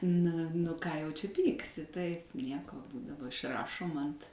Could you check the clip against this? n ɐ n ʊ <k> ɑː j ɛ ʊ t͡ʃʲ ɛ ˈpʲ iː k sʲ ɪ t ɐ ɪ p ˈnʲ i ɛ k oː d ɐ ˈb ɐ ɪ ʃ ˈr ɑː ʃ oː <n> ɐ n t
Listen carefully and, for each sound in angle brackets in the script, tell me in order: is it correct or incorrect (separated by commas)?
correct, incorrect